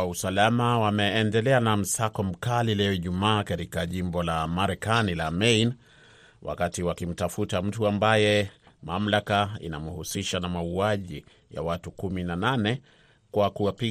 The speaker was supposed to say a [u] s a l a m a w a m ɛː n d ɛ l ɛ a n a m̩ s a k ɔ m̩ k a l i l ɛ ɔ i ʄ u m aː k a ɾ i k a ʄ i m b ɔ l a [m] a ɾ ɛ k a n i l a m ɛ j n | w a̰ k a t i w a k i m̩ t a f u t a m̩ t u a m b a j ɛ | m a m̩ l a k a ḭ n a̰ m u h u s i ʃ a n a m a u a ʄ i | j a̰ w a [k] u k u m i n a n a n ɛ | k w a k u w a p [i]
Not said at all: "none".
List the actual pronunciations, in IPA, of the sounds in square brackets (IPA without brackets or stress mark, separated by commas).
u, m, t, i